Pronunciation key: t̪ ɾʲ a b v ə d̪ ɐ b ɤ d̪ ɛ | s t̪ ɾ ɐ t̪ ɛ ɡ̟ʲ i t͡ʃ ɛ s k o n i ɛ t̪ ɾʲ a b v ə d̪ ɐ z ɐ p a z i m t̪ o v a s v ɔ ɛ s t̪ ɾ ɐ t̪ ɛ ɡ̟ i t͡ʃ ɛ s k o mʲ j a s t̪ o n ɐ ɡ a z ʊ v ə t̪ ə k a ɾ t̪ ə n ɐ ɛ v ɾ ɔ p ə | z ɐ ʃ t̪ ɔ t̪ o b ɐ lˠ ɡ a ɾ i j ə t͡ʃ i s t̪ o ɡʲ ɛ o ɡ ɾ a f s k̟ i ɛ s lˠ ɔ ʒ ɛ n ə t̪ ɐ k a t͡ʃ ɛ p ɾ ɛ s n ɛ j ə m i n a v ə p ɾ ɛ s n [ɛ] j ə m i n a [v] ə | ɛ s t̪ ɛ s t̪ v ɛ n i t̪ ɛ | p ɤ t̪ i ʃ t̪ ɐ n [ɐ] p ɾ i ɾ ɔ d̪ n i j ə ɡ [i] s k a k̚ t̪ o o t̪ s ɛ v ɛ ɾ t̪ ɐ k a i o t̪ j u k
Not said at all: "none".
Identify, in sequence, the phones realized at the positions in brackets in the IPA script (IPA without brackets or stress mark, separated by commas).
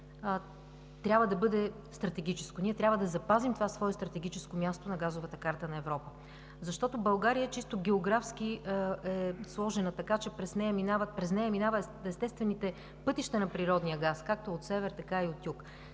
ɛ, v, ɐ, a